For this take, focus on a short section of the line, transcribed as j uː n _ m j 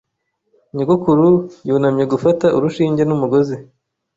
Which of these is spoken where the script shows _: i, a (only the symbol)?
a